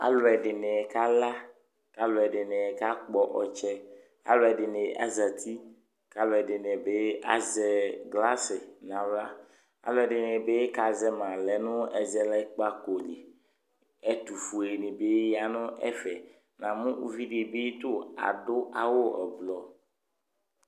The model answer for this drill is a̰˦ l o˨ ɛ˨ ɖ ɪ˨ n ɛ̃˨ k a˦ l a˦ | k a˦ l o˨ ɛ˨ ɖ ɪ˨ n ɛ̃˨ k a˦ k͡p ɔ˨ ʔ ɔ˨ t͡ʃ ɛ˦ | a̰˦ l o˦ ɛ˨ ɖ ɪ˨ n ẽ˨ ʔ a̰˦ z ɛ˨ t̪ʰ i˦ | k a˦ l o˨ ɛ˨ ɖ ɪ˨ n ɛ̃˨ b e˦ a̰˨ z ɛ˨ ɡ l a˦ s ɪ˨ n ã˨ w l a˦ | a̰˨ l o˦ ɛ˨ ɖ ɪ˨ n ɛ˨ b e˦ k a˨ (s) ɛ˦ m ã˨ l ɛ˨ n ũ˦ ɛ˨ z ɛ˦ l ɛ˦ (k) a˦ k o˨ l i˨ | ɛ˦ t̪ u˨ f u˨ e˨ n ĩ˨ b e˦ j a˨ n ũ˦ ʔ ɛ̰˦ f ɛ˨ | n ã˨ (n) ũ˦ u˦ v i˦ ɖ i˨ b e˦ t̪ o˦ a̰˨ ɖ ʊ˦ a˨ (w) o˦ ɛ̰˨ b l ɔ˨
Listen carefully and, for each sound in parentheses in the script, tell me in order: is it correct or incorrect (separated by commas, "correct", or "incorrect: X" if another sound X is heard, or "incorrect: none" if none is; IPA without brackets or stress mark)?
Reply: incorrect: z, incorrect: k͡p, incorrect: m, correct